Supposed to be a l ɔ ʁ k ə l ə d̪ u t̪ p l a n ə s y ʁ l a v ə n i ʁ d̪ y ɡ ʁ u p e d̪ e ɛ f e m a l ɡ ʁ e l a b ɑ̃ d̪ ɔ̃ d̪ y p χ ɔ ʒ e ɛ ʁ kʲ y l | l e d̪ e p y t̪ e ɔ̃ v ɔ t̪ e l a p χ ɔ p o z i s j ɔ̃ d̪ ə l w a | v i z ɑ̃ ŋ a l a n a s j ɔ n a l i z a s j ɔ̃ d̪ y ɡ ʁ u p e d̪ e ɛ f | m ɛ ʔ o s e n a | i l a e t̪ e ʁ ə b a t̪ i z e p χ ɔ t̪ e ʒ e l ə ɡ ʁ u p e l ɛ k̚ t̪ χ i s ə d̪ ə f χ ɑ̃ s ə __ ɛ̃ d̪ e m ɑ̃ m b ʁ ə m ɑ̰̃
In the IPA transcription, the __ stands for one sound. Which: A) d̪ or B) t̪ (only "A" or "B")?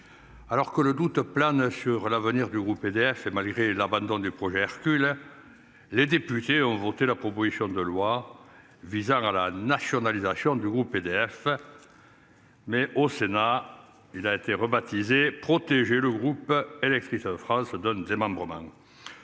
A